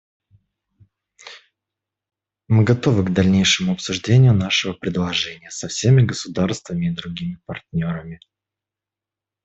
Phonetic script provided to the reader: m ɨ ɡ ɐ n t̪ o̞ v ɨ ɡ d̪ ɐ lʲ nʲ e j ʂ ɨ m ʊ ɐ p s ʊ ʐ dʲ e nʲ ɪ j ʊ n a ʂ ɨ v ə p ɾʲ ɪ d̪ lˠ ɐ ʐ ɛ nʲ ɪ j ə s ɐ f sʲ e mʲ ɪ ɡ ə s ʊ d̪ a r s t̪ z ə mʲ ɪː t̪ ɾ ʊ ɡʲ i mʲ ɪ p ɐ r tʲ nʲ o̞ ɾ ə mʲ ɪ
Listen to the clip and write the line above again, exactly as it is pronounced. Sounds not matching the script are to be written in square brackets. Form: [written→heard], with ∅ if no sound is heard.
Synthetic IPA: m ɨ ɡ ɐ [n→∅] t̪ o̞ v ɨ ɡ d̪ ɐ lʲ nʲ e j ʂ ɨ m ʊ ɐ p s ʊ ʐ dʲ e nʲ ɪ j ʊ n a ʂ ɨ v ə p ɾʲ ɪ d̪ lˠ ɐ ʐ ɛ nʲ ɪ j ə s ɐ f sʲ e mʲ ɪ ɡ ə s ʊ d̪ a r s t̪ [z→v] ə mʲ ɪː [t̪→d̪] ɾ ʊ ɡʲ i mʲ ɪ p ɐ r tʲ nʲ o̞ ɾ ə mʲ ɪ